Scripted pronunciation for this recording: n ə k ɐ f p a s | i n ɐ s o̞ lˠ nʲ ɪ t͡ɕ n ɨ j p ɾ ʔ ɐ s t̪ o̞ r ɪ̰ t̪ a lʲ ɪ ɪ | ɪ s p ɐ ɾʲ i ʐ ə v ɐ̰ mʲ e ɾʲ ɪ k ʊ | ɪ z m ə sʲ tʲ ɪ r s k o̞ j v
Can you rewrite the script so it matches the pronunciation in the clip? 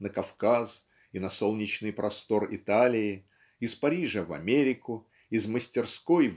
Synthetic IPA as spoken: n ə k ɐ f k a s | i n ɐ s o̞ lˠ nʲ ɪ t͡ɕ n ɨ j p ɾ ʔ ɐ s t̪ o̞ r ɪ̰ t̪ a lʲ ɪ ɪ | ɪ s p ɐ ɾʲ i ʐ ə v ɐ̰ mʲ e ɾʲ ɪ k ʊ | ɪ z m ə sʲ tʲ ɪ r s k o̞ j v